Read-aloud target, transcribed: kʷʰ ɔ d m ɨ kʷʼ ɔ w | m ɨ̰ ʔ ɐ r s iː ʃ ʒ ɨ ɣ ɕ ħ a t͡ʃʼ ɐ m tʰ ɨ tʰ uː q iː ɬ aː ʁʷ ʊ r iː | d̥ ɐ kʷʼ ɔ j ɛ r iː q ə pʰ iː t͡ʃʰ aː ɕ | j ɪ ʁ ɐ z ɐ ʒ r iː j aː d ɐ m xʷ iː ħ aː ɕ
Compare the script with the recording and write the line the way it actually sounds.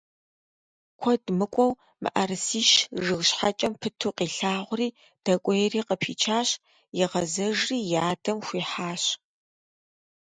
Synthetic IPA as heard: kʷʰ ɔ d m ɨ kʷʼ ɔ w | m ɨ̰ ʔ ɐ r s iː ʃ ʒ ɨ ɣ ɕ ħ a t͡ʃʼ ɐ m pʰ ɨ tʰ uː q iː ɬ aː ʁʷ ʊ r iː | d̥ ɐ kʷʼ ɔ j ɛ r iː q ə pʰ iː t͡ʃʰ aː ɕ | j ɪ ʁ ɐ z ɐ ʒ r iː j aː d ɐ m xʷ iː ħ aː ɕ